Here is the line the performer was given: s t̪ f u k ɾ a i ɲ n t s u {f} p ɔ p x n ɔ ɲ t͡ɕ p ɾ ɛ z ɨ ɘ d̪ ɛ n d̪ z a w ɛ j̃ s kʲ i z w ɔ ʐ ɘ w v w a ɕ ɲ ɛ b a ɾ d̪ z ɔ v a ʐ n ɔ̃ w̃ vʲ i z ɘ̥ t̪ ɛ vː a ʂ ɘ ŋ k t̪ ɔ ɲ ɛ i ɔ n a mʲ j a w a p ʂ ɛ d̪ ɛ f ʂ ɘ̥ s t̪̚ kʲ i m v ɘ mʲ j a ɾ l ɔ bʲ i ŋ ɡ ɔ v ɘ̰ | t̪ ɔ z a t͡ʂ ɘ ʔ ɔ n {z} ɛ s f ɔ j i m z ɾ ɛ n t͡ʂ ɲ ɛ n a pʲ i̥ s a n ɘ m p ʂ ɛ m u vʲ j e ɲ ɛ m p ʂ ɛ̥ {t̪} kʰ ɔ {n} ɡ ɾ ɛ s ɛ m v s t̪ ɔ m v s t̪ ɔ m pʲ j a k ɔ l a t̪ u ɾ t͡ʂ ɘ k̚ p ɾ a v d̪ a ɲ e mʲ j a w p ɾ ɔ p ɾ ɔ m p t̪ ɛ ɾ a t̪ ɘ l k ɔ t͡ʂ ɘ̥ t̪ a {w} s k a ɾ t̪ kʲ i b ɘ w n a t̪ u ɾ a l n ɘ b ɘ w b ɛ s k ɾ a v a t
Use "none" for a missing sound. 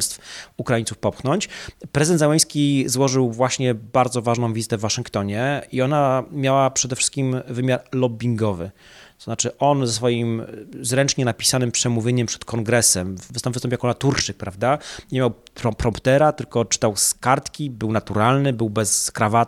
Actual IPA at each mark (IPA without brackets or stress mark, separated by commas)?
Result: f, z, t̪, ŋ, w